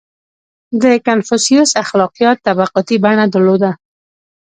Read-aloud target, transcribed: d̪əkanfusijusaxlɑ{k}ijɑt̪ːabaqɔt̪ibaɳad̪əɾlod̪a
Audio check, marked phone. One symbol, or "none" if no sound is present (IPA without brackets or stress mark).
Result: q